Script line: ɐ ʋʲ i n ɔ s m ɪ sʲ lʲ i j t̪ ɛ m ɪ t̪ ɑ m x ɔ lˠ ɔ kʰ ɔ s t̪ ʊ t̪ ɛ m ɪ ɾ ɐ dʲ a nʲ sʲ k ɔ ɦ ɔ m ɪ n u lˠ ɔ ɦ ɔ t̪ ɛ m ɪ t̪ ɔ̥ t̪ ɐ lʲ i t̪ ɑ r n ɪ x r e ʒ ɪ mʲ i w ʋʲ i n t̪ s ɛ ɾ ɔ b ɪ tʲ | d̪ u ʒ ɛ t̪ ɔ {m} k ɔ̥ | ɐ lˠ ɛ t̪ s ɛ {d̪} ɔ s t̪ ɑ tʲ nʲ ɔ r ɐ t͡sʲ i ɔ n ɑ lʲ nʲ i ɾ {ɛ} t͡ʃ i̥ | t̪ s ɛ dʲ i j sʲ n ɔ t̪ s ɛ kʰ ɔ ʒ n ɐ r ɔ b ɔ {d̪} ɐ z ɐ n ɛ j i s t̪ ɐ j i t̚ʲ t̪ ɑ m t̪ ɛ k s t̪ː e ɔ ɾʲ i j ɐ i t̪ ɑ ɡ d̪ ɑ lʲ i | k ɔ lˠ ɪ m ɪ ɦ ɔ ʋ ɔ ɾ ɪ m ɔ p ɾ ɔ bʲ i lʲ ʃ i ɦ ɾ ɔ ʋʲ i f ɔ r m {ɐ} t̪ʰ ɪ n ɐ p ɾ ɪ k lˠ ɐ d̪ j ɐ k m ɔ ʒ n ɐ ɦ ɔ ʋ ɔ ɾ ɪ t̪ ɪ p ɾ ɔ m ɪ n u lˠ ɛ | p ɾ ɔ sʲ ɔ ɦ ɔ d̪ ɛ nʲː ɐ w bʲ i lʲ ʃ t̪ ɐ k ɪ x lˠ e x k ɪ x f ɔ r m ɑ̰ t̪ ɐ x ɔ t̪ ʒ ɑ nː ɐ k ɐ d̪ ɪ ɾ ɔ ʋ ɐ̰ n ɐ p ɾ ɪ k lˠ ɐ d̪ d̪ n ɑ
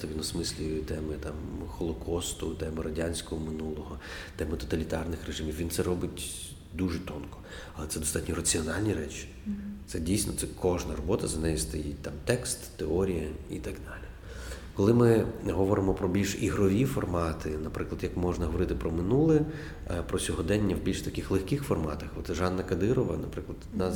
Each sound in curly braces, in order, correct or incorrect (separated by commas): incorrect, correct, correct, incorrect, incorrect